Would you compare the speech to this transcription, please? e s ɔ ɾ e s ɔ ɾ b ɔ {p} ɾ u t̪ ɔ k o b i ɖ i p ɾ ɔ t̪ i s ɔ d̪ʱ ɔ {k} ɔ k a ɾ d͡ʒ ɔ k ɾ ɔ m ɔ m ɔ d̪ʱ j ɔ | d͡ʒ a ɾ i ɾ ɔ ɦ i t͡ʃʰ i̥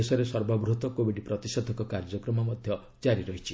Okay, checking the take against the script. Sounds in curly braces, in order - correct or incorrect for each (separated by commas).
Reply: incorrect, correct